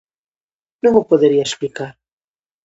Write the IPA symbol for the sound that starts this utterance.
n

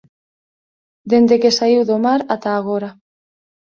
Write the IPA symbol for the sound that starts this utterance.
d̪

